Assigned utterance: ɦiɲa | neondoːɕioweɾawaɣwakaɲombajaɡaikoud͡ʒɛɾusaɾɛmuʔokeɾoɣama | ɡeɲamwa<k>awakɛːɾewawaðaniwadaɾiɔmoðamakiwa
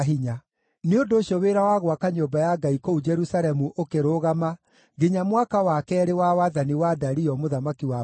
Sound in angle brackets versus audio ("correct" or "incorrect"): correct